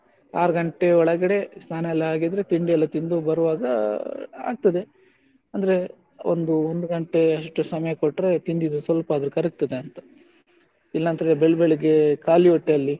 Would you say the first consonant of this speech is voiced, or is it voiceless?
voiced